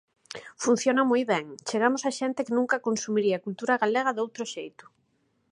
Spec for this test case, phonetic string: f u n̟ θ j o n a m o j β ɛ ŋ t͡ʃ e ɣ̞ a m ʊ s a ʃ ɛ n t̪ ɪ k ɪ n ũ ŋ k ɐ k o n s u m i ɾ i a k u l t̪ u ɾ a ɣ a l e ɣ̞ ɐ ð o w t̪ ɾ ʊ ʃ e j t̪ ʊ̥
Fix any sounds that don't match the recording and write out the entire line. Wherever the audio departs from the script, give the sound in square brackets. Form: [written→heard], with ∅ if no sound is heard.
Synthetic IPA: f u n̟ θ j o n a m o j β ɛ ŋ t͡ʃ e ɣ̞ a m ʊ s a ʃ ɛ n t̪ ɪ k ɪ n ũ ŋ k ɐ k o n s u m i ɾ i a k u l t̪ u ɾ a ɣ a l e ɣ̞ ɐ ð o w t̪ ɾ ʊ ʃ e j t̪ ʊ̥